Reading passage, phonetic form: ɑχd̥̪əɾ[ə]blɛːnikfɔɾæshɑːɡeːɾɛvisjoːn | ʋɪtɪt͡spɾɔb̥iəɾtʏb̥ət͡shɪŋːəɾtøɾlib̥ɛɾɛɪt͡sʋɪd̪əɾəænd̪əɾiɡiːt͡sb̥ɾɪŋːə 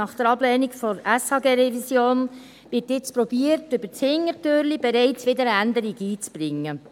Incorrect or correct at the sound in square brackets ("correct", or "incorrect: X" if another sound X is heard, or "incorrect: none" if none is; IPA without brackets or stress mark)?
incorrect: ɑ